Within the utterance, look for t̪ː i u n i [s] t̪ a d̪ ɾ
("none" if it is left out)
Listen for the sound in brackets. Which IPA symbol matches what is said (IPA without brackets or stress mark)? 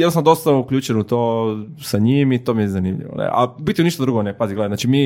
ʃ